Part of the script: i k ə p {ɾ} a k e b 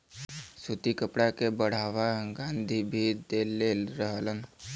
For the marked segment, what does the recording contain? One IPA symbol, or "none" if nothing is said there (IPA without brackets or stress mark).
ɽ